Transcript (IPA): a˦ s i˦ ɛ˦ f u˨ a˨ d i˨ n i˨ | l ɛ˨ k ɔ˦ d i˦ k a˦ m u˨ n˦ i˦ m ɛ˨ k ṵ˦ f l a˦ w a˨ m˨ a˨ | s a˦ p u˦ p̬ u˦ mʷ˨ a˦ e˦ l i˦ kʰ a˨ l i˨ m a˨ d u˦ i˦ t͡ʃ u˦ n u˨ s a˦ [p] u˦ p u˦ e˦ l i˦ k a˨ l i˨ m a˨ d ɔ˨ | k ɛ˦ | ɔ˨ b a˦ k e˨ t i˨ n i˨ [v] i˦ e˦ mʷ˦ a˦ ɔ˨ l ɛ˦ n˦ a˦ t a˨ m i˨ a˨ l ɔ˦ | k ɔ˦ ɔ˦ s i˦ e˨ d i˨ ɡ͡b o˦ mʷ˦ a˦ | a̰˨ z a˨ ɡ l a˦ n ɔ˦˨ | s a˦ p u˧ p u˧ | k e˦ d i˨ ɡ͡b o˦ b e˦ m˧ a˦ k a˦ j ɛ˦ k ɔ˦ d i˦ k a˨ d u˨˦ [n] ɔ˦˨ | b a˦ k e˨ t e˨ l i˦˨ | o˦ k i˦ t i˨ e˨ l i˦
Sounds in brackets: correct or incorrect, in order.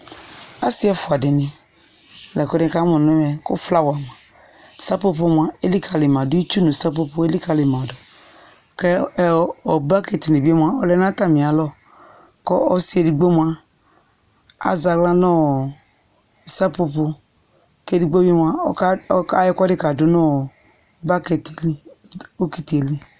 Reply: correct, incorrect, correct

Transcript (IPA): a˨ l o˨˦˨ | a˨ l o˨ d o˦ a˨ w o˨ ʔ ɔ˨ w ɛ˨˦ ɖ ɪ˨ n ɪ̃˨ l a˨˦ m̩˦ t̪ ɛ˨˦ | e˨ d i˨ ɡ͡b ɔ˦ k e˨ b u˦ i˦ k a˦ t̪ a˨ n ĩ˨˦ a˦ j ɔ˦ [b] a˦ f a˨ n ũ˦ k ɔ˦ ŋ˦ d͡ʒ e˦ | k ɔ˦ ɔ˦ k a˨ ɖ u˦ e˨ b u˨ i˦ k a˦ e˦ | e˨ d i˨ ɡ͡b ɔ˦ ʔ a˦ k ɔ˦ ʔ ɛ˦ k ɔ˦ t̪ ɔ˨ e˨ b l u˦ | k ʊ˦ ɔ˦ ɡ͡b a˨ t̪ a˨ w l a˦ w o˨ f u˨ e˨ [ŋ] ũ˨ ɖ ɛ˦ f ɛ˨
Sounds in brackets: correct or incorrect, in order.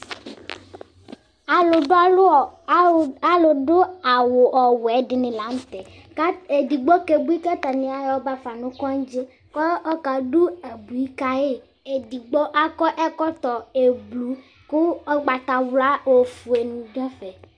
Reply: correct, incorrect

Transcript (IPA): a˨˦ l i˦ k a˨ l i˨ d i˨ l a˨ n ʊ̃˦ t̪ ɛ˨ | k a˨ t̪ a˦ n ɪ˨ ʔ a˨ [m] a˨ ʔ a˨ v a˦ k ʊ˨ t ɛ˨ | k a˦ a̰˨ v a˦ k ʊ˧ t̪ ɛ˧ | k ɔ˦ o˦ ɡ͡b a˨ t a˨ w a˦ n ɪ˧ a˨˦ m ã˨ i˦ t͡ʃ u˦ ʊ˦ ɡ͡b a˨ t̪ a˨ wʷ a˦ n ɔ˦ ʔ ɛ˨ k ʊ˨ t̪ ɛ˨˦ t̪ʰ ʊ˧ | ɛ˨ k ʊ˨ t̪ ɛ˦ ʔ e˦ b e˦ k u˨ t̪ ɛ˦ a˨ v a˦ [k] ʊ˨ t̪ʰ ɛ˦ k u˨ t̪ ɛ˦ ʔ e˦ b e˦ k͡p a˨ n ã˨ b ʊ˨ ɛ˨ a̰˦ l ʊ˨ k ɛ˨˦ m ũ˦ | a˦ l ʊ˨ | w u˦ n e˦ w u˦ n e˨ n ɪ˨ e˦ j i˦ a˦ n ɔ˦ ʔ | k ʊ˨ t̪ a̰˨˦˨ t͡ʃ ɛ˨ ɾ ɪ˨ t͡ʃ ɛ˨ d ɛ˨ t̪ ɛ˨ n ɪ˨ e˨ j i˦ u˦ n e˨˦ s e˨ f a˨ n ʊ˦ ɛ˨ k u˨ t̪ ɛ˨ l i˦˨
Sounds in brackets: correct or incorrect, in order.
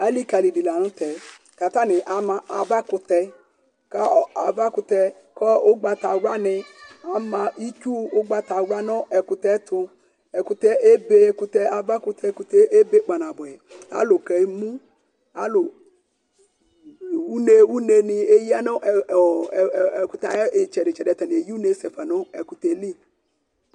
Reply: correct, correct

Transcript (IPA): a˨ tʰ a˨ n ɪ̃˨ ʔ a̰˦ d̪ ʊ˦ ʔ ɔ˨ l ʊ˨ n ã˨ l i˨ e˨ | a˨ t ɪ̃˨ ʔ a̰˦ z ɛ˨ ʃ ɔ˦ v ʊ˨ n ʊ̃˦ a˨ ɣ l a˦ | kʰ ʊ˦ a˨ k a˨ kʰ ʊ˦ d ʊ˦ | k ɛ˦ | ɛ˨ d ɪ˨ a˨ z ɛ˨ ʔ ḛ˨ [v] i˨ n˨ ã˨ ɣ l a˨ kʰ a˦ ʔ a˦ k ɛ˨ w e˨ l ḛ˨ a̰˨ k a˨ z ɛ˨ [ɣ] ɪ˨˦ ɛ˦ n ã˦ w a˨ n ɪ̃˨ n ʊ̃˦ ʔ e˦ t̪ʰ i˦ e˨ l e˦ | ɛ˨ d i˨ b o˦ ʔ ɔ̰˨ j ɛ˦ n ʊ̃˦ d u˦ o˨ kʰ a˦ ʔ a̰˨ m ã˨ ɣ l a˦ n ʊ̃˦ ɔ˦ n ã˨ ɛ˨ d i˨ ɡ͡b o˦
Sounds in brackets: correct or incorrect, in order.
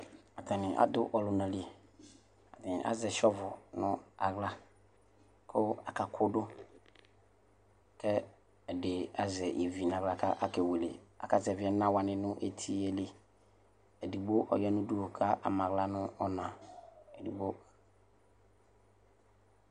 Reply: correct, incorrect

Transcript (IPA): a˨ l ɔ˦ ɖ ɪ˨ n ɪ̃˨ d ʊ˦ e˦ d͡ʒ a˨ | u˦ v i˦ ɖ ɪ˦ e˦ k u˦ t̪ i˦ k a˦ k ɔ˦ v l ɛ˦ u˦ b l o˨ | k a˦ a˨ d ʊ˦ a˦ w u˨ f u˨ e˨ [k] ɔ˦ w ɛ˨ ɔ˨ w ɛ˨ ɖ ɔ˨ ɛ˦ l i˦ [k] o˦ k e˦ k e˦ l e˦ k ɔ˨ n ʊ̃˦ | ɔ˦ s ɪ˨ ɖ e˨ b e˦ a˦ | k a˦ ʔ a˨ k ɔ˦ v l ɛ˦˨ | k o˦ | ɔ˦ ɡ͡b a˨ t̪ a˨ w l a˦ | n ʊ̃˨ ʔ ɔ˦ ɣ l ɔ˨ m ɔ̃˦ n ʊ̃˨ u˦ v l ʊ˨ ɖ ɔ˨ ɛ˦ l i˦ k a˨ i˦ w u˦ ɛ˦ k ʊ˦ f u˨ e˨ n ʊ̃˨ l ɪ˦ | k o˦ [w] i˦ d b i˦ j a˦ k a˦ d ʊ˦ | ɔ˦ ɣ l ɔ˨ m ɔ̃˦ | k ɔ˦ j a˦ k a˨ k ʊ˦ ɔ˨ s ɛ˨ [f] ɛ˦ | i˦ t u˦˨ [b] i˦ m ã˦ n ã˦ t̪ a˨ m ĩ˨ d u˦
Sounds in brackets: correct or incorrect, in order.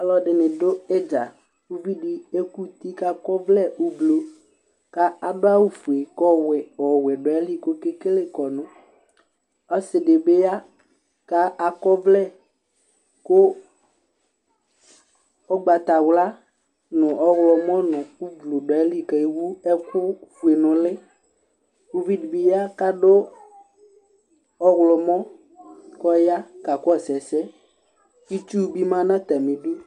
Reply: correct, correct, incorrect, incorrect, correct

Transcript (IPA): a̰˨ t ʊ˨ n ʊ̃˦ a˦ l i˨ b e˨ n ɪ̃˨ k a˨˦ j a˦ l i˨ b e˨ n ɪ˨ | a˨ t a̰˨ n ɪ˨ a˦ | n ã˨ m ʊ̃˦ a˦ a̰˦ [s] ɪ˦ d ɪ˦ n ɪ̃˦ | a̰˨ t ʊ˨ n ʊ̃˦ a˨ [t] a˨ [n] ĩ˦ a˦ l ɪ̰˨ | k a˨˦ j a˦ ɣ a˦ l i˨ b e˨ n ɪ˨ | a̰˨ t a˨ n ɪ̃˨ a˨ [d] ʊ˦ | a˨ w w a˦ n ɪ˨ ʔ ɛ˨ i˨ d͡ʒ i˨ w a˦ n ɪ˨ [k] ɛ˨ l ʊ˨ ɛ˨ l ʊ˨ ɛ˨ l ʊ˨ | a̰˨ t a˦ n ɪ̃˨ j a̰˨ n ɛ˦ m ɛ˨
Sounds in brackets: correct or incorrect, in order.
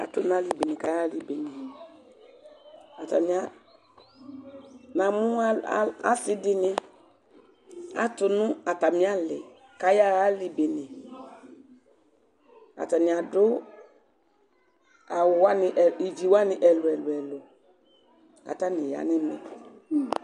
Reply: correct, correct, incorrect, correct, incorrect

